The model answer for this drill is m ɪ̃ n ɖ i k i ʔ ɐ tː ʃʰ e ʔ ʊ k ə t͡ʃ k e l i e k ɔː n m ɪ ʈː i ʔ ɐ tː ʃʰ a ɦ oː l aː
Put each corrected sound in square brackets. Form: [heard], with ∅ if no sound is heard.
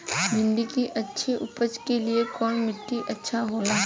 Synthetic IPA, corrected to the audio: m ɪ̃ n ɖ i k i ʔ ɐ tː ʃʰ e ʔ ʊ [p] ə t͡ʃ k e l i e k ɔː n m ɪ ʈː i ʔ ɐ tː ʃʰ a ɦ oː l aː